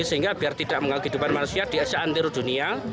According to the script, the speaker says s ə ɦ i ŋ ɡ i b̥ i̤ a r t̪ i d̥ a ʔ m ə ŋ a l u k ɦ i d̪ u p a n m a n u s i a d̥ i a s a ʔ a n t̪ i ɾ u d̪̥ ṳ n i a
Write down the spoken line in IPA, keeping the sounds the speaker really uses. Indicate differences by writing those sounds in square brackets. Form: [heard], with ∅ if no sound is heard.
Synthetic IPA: s ə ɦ i ŋ ɡ [a] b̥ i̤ a r t̪ i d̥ a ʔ m ə ŋ a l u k ɦ i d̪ u p a n m a n u s i a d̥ i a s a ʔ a n t̪ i ɾ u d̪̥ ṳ n i a